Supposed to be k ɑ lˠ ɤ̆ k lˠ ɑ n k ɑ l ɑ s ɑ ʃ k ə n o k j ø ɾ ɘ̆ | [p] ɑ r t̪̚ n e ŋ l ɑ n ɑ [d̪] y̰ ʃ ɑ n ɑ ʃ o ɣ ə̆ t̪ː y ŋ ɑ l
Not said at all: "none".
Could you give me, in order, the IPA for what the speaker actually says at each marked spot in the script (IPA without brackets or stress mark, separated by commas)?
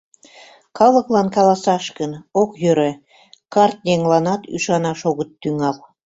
k, t̪